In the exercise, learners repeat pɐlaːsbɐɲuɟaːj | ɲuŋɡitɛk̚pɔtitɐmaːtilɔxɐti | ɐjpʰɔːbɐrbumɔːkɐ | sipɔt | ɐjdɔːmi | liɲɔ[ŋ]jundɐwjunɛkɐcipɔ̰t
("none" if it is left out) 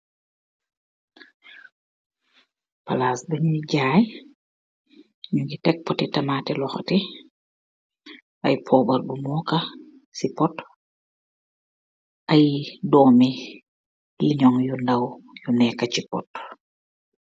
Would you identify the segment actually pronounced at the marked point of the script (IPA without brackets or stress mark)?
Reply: ŋ